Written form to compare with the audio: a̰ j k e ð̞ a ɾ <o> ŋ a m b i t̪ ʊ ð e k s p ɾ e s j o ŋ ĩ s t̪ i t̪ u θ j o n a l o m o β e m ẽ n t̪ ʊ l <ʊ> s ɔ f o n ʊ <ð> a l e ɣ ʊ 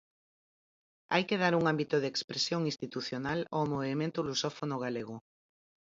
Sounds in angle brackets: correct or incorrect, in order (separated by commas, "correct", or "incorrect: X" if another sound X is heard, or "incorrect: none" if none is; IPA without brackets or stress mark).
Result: incorrect: u, incorrect: u, incorrect: ɣ